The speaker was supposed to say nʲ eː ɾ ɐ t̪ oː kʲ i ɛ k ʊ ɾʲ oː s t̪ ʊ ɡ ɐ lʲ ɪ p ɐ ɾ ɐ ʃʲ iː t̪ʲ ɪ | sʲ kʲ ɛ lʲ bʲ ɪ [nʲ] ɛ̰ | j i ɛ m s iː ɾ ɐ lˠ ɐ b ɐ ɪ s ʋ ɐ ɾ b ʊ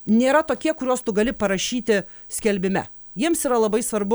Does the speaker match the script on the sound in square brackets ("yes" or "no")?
no